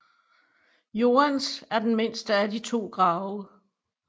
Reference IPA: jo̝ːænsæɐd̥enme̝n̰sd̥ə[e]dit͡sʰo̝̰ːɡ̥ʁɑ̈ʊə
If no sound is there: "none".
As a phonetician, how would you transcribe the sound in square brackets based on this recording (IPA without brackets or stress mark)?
æ